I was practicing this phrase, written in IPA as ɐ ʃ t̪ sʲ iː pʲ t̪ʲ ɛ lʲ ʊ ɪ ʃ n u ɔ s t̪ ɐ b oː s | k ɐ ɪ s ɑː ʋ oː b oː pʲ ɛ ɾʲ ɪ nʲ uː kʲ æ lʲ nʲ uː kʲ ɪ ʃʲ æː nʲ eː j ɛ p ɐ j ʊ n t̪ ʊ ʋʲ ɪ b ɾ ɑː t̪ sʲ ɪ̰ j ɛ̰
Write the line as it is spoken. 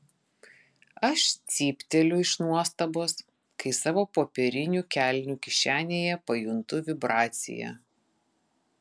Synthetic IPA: ɐ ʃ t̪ sʲ iː pʲ t̪ʲ ɛ lʲ ʊ ɪ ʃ n u ɔ s t̪ ɐ b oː s | k ɐ ɪ s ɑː ʋ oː p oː pʲ ɛ ɾʲ ɪ nʲ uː kʲ æ lʲ nʲ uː kʲ ɪ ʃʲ æː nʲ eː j ɛ p ɐ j ʊ n t̪ ʊ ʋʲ ɪ b ɾ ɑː t̪ sʲ ɪ̰ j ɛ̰